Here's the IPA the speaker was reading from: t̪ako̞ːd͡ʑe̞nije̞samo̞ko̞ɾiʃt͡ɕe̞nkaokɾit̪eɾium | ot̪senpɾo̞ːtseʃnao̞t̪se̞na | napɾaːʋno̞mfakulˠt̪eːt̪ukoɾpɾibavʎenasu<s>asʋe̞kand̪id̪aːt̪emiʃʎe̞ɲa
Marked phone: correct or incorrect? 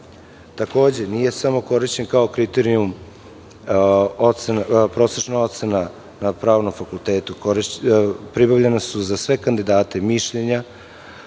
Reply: incorrect